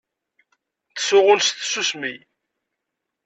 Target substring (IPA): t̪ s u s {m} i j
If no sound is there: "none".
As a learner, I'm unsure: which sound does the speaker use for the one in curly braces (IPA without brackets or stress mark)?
m